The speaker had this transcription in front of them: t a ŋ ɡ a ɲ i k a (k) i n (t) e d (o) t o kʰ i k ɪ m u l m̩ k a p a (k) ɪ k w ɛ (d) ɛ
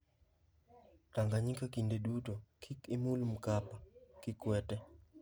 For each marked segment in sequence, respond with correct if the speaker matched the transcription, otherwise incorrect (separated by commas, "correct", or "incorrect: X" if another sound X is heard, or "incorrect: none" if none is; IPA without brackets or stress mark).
correct, incorrect: d, incorrect: u, correct, incorrect: t